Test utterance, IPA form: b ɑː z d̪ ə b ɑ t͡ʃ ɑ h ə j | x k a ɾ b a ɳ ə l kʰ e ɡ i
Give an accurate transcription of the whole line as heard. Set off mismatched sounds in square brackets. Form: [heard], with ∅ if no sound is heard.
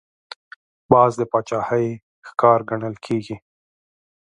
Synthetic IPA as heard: b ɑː z d̪ ə [p] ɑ t͡ʃ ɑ h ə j | x k [ɑ] ɾ [ɡ] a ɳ ə l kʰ e ɡ i

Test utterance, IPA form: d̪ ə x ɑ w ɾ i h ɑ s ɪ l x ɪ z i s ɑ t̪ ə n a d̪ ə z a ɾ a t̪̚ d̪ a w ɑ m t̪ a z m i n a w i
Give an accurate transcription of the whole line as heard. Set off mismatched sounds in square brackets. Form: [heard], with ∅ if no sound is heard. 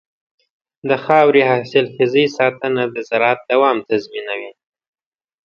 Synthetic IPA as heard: d̪ ə x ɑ w ɾ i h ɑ s ɪ l x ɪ z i s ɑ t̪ ə n a d̪ ə z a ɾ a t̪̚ d̪ a w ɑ m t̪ a z m i n a w i

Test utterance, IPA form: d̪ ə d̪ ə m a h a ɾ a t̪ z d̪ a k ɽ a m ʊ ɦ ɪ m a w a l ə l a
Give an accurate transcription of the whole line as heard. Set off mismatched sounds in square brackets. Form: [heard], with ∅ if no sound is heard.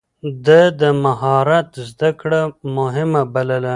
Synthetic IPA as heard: d̪ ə d̪ ə m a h [ɑ] ɾ a t̪ z d̪ a k ɽ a m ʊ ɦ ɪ m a [b] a l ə l a

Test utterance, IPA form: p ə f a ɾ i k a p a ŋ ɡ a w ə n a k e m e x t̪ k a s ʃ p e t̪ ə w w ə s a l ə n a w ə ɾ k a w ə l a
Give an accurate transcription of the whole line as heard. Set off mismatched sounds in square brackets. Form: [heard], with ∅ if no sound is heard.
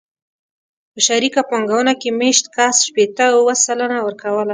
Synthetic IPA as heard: p ə [ʃ] a ɾ i k a p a ŋ ɡ a w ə n a k e m e [ʃ] t̪ k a s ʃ p e t̪ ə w w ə s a l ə n a w ə ɾ k a w ə l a

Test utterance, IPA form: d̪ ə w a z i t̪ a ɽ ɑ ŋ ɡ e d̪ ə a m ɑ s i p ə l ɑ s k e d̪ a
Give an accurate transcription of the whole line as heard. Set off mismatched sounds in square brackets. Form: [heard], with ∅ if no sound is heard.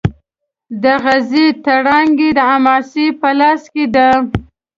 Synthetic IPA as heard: d̪ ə [ɣ] a z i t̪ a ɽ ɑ ŋ ɡ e d̪ ə a m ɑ s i p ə l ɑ s k e d̪ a

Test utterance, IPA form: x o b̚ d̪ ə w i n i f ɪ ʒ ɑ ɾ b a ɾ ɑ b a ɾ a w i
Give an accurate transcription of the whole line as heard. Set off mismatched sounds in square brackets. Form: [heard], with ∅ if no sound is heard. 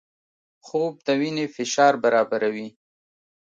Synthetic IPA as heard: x o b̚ d̪ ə w i n [e] f ɪ [ʃ] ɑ ɾ b a ɾ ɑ b a ɾ a w i

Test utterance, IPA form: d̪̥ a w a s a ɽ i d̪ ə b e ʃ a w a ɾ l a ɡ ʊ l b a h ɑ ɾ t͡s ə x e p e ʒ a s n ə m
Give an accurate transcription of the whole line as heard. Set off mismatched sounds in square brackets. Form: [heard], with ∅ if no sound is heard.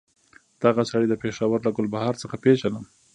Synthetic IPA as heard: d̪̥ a [ɣ] a s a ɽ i d̪ ə [p] e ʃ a w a ɾ l a ɡ ʊ l b a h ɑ ɾ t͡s ə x [a] p e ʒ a [∅] n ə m

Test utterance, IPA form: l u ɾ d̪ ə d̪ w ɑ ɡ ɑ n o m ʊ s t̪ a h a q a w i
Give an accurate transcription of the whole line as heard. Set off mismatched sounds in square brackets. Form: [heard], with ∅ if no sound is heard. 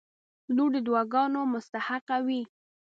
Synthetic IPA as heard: l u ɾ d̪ ə d̪ w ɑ ɡ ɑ n o m ʊ s t̪ a h a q a w i

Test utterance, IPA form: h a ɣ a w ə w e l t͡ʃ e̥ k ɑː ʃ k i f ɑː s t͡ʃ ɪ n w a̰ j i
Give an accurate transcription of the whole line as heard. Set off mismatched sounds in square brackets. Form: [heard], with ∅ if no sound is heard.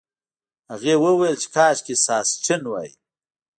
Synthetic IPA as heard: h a ɣ [e] w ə w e l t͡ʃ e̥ k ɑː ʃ k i [s] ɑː s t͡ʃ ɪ n w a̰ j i

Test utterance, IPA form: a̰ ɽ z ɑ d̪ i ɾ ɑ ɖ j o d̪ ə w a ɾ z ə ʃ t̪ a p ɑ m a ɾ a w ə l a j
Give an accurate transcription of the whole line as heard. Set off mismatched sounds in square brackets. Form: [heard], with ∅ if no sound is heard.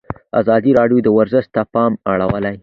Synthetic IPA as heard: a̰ [∅] z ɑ d̪ i ɾ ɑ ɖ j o d̪ ə w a ɾ z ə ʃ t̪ a p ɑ m a [ɽ] a w ə l a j

